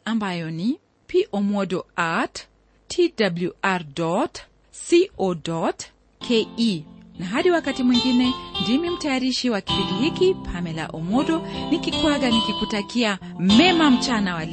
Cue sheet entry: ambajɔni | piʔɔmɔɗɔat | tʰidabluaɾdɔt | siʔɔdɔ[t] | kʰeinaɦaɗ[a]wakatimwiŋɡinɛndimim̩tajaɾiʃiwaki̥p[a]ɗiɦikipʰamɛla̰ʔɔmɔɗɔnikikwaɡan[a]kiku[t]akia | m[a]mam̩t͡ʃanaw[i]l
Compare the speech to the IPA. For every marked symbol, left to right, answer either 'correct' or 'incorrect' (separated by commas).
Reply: correct, incorrect, incorrect, incorrect, correct, incorrect, incorrect